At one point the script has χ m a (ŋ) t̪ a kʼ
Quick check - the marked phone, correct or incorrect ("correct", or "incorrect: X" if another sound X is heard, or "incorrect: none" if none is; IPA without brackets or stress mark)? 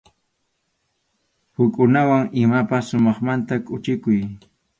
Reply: incorrect: n